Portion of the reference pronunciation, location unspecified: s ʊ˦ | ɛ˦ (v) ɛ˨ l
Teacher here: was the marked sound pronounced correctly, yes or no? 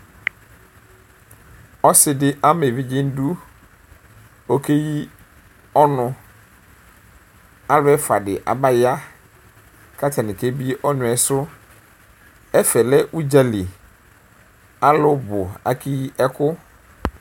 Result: no